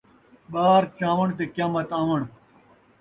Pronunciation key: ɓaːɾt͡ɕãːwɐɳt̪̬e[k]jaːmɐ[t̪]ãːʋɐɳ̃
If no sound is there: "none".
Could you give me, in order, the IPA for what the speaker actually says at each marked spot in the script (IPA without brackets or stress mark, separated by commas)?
k, t̪